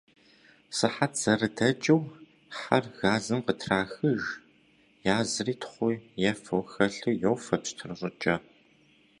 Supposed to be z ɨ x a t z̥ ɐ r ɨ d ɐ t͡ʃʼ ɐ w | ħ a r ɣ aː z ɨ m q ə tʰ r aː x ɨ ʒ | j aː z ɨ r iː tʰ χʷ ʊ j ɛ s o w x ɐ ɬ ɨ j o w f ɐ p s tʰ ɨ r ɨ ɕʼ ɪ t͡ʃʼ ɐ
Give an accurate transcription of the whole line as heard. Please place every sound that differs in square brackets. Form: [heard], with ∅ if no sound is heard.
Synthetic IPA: [s] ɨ [ħ] a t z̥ ɐ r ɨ d ɐ t͡ʃʼ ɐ w | ħ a r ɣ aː z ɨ m q ə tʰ r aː x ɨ ʒ | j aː z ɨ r iː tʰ χʷ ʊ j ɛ [f] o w x ɐ ɬ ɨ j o w f ɐ p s tʰ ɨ r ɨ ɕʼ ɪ t͡ʃʼ ɐ